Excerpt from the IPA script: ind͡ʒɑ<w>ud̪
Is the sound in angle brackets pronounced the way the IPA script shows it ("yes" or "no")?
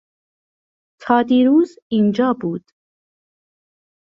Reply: no